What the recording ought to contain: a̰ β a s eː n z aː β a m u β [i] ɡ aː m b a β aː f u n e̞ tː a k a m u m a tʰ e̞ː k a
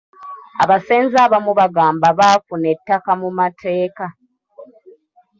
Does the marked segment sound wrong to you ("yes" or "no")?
yes